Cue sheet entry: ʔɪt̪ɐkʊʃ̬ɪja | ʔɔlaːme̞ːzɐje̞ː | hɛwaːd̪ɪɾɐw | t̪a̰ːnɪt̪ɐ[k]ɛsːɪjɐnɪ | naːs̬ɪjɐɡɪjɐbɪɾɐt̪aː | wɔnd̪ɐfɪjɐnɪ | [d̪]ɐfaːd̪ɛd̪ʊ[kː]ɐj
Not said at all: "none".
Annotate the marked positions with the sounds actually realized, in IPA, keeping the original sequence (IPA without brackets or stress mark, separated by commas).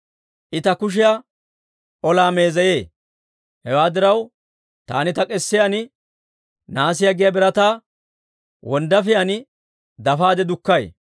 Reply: kʼ, d̪, kː